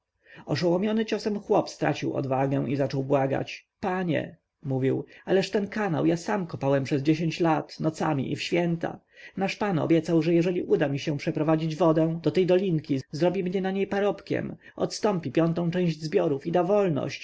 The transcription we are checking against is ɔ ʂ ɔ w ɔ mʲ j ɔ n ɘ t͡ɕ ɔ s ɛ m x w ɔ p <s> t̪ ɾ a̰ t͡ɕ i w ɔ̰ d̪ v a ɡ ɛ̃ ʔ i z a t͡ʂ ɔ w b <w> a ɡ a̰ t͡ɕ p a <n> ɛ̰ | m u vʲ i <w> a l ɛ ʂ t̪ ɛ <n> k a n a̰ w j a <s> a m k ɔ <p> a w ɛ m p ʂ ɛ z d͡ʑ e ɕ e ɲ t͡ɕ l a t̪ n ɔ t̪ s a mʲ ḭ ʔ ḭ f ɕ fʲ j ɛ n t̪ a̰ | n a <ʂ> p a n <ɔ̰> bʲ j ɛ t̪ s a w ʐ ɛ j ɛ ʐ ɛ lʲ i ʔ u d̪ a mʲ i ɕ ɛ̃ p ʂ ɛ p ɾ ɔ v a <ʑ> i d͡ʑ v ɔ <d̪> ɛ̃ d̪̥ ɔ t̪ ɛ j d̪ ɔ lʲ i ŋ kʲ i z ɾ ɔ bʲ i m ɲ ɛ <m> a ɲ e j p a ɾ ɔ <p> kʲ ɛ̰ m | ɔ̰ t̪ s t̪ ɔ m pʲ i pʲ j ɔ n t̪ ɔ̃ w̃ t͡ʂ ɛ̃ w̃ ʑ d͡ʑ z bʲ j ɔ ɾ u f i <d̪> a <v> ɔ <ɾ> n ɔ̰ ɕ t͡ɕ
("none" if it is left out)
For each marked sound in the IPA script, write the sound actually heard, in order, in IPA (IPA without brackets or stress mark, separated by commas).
s, w, ɲ, w, n, s, p, ʂ, ɔ̰, d͡ʑ, d̪, n, p, d̪, v, l